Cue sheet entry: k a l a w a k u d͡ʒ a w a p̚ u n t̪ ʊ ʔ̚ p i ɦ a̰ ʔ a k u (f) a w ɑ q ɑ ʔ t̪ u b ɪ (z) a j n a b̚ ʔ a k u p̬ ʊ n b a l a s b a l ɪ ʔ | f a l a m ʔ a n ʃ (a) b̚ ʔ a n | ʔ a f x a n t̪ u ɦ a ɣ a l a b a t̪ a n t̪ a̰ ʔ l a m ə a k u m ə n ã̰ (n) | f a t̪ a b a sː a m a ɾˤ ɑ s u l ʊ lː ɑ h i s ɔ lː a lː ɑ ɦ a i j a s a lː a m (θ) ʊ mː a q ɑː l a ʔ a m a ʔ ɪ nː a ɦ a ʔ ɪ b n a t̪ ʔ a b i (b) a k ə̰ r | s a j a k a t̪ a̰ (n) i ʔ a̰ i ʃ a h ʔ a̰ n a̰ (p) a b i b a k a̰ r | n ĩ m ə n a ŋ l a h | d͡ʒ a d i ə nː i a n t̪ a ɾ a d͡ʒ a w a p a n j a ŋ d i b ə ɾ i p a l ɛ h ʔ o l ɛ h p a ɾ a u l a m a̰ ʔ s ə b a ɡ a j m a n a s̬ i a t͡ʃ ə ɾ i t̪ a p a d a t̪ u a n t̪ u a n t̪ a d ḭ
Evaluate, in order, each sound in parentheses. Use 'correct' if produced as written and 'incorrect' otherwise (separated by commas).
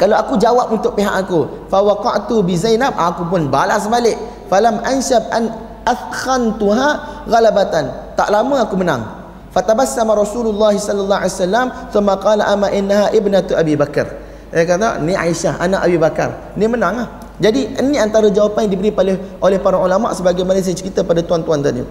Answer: correct, correct, correct, incorrect, correct, correct, correct, incorrect